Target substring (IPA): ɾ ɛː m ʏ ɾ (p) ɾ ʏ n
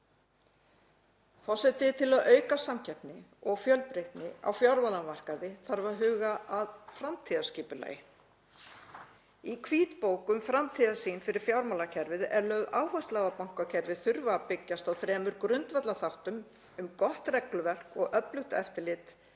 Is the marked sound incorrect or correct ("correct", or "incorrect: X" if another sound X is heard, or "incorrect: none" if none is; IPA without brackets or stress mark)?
incorrect: k